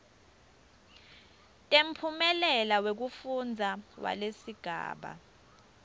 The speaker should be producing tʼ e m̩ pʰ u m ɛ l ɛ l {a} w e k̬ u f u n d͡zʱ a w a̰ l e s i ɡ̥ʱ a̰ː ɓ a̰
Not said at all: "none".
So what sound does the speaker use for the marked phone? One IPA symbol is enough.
a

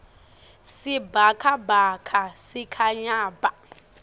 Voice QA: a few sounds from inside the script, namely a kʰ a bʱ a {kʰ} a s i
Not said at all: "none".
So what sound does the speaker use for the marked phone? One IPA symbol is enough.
kʰ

